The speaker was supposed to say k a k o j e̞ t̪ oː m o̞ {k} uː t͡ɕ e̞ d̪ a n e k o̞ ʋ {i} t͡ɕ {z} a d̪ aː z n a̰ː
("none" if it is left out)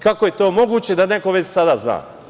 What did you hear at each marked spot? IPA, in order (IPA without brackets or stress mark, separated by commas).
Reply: ɡ, e, s